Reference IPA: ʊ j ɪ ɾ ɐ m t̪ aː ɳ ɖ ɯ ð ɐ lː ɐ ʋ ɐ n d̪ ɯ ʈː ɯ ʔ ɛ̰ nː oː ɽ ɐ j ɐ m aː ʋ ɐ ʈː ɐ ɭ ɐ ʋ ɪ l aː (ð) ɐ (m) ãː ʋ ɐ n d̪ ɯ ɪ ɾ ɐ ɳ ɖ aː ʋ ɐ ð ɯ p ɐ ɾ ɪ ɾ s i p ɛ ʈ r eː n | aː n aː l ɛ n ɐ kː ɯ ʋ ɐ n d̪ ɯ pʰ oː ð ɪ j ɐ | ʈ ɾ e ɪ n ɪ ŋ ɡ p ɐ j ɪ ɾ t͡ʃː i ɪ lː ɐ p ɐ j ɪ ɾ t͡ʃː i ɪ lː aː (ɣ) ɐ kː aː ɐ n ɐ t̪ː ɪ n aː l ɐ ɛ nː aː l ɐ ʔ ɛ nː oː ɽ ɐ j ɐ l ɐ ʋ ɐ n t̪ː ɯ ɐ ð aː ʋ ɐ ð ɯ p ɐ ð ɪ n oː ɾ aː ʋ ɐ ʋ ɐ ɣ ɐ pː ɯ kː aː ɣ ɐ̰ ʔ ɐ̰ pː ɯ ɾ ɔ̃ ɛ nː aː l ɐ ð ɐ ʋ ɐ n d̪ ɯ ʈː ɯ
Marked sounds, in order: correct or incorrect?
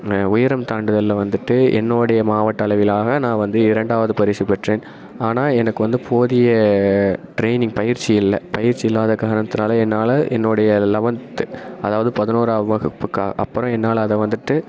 incorrect: ɣ, incorrect: n, incorrect: ð

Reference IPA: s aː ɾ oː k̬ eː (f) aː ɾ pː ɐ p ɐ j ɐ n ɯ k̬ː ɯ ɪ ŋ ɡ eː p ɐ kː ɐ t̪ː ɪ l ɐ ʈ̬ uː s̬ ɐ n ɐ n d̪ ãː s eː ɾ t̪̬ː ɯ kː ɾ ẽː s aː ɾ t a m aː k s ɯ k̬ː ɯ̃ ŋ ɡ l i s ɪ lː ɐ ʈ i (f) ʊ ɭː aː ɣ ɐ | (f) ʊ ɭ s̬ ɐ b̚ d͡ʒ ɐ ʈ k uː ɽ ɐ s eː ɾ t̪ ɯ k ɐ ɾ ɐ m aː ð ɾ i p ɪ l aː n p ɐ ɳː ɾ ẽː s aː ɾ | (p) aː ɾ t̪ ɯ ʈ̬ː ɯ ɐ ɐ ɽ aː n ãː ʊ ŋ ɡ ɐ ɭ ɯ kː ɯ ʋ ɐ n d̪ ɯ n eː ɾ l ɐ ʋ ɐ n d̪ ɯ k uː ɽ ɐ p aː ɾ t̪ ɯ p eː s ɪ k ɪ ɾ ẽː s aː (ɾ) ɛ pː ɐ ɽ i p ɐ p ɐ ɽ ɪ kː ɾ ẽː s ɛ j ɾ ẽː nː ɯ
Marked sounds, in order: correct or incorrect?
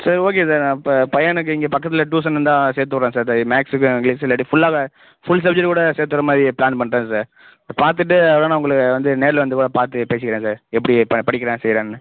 incorrect: s, correct, correct, correct, correct

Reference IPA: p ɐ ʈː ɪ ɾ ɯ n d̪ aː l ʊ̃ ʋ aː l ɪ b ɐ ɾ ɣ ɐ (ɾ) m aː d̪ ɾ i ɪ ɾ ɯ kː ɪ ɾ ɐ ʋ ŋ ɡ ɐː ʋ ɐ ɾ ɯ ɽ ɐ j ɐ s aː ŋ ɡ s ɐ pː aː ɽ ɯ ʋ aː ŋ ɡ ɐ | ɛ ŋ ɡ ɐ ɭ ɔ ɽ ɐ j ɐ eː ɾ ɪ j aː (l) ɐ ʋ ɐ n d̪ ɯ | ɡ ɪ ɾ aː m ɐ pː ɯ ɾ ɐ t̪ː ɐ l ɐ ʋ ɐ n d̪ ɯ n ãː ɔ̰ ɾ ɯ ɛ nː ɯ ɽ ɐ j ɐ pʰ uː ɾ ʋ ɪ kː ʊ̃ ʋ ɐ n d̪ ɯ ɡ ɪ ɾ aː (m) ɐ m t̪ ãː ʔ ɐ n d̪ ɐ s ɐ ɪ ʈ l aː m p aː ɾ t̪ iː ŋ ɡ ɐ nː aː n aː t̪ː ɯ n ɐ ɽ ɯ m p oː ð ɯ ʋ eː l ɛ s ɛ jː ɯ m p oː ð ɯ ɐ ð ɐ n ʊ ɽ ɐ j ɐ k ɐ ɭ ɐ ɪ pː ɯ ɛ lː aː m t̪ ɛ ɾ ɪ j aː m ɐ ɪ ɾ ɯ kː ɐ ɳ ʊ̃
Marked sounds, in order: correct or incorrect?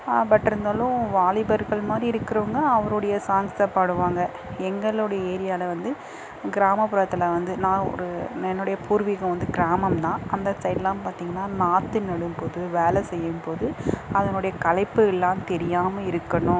incorrect: ɭ, correct, correct

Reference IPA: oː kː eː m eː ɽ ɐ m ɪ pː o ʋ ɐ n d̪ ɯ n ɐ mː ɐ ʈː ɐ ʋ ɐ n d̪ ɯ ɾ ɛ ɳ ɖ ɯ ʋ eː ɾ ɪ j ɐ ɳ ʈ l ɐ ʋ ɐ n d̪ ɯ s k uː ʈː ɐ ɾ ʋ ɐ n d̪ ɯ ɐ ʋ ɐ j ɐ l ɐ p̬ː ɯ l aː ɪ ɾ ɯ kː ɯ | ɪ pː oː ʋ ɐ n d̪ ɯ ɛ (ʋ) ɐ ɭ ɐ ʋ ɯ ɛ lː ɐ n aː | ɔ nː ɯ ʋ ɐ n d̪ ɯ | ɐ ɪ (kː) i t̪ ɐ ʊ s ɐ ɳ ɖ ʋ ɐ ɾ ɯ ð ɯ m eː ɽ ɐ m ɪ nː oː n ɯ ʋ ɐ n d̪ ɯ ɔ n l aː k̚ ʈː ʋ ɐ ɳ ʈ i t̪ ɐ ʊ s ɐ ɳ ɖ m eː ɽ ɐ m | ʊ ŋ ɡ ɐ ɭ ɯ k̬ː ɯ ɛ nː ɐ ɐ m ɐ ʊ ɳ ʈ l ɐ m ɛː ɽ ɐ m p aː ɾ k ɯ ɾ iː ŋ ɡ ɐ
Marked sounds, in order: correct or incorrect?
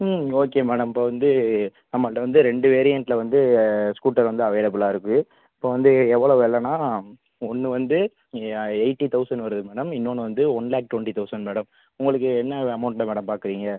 incorrect: ʋː, incorrect: ʈː

